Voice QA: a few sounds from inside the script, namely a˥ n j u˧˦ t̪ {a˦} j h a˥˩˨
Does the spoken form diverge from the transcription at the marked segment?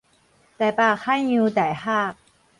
yes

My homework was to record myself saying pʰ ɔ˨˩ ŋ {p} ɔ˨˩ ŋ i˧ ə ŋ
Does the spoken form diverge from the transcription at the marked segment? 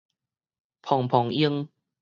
yes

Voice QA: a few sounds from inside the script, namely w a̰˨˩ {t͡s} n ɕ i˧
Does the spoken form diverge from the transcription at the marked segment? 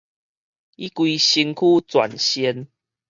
yes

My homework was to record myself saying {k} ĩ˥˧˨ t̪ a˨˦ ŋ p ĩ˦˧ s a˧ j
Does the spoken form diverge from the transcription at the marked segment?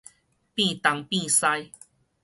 yes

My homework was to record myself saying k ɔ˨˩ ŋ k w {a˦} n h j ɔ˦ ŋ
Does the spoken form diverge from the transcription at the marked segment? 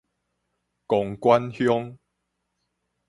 no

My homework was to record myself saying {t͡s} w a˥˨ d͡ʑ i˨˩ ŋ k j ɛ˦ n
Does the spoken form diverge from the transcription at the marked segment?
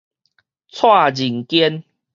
yes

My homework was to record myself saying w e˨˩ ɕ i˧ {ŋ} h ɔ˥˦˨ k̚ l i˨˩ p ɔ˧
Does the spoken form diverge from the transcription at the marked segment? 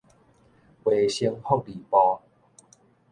no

